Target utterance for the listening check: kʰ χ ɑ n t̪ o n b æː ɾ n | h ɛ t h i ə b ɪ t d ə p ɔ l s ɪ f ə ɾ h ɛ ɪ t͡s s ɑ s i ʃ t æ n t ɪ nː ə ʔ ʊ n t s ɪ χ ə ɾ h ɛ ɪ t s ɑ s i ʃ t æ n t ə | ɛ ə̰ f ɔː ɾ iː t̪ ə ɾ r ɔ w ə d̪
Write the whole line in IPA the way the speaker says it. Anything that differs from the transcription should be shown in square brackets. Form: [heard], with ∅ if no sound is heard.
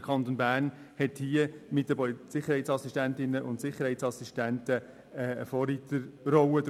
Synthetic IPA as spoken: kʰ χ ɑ n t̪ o n b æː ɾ n | h ɛ t h i ə [m] ɪ t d ə p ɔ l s ɪ [χ] ə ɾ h ɛ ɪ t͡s s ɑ s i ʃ t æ n t ɪ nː ə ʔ ʊ n t s ɪ χ ə ɾ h ɛ ɪ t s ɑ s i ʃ t æ n t ə | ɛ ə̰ f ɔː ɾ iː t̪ ə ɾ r ɔ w ə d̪